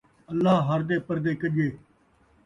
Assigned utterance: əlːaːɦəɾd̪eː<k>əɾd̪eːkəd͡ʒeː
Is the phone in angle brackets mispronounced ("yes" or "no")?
yes